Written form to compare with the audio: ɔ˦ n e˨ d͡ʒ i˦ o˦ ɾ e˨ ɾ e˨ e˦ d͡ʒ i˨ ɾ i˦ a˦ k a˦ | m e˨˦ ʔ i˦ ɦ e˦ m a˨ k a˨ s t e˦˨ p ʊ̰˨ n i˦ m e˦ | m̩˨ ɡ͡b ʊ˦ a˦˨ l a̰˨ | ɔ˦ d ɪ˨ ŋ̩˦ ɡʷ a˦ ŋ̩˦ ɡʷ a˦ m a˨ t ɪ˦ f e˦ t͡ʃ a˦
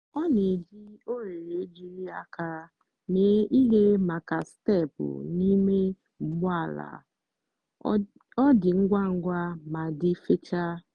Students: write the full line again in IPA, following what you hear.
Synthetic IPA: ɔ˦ n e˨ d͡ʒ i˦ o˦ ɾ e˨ ɾ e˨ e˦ d͡ʒ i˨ ɾ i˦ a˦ k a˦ | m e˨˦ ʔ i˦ ɦ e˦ m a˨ k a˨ s t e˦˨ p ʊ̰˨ n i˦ m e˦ | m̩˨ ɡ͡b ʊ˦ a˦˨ l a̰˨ | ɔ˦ d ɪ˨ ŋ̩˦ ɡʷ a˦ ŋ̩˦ ɡʷ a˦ m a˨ d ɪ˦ f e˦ t͡ʃ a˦